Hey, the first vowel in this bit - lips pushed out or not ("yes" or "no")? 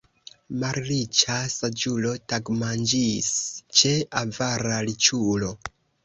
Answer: no